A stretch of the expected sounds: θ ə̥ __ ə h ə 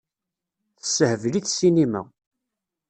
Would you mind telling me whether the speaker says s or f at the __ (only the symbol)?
s